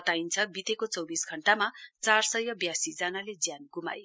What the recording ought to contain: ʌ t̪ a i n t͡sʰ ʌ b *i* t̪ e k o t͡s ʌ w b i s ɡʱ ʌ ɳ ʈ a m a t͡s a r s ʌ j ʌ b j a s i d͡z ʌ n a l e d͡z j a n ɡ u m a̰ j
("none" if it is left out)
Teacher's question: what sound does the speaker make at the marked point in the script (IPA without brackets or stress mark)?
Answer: i